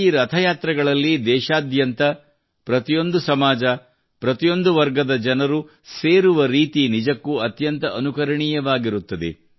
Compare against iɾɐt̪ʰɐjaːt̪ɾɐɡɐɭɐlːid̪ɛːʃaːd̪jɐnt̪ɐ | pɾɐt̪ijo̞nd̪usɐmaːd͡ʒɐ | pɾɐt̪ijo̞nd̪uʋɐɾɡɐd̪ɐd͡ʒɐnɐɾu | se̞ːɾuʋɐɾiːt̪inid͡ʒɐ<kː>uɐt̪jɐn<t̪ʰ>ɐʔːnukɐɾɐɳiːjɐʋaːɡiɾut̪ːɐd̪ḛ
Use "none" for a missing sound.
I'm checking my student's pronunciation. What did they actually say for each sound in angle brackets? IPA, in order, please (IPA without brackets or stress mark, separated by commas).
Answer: kː, t̪